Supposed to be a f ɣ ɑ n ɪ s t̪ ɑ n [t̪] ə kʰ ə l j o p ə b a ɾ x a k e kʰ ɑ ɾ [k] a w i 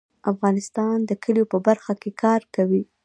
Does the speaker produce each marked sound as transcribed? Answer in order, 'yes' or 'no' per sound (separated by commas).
no, yes